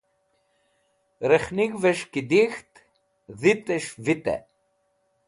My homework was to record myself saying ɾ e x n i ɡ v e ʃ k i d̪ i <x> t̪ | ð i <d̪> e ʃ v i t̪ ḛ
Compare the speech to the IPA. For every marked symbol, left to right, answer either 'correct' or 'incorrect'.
correct, incorrect: t̪

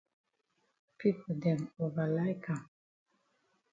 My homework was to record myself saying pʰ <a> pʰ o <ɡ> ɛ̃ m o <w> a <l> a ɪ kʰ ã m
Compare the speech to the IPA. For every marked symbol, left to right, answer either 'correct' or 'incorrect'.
incorrect: i, incorrect: d, incorrect: v, correct

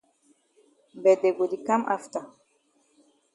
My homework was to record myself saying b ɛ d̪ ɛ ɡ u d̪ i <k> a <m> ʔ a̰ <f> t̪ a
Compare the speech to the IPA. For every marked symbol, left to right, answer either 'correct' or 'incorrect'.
correct, correct, correct

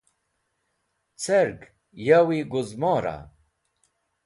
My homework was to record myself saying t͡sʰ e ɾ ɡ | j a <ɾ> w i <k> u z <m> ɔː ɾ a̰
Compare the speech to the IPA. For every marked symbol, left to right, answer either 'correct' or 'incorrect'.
incorrect: none, incorrect: ɡ, correct

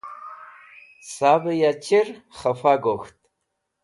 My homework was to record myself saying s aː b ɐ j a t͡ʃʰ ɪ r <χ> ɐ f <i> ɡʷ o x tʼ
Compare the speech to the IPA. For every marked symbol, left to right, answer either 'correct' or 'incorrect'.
correct, incorrect: a

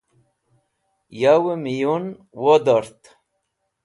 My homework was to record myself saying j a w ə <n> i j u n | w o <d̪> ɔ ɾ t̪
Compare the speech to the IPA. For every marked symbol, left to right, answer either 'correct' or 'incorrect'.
incorrect: m, correct

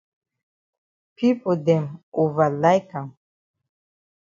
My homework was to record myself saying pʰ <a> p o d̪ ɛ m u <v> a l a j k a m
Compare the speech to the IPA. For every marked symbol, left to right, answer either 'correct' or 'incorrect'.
incorrect: i, correct

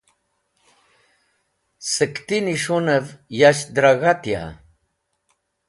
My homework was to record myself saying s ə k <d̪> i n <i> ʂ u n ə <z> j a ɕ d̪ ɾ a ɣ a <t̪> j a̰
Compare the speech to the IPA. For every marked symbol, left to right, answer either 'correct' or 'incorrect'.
incorrect: t̪, correct, incorrect: v, correct

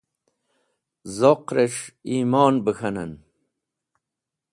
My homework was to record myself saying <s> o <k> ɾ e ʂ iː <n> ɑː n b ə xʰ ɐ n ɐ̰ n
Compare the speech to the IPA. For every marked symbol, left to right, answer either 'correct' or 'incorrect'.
incorrect: z, incorrect: q, incorrect: m

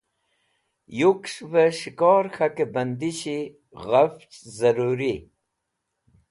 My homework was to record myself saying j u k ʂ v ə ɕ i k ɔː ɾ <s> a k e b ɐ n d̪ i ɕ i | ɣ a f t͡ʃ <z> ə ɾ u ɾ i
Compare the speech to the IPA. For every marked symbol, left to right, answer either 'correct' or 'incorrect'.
incorrect: x, correct

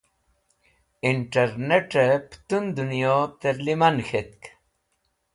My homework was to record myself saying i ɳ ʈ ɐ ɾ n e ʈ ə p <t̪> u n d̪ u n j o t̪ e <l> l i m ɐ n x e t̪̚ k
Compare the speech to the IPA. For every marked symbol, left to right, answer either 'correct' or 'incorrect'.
correct, incorrect: ɾ

